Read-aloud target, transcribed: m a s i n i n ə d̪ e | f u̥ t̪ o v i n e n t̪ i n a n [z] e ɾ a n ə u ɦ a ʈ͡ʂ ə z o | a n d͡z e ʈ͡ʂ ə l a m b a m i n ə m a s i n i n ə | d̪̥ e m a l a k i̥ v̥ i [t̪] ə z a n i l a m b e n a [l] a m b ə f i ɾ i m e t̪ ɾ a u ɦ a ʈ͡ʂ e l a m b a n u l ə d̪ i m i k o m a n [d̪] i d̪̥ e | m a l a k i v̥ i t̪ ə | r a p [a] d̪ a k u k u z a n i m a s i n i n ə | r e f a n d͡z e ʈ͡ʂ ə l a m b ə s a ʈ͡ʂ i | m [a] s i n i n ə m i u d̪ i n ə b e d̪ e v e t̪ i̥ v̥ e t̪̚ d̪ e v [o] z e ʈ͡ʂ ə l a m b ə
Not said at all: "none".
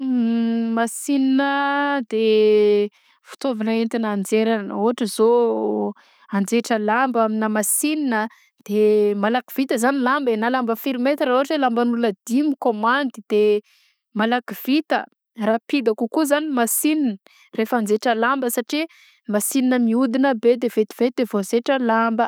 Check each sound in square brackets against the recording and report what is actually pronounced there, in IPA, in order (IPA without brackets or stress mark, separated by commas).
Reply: d͡z, t̪, l, d̪, i, a, o